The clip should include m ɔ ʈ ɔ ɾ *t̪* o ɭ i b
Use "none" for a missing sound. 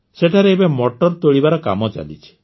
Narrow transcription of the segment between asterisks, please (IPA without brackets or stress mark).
t̪